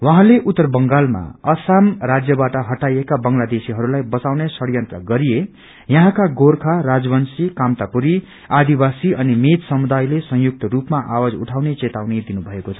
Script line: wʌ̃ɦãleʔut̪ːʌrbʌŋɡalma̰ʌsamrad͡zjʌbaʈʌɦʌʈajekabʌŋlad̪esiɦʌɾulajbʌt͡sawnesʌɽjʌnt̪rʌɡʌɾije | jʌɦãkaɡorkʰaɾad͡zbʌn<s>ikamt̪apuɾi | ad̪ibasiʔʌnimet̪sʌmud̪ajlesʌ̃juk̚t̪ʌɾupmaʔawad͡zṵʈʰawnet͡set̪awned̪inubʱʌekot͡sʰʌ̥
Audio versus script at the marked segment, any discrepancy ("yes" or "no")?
no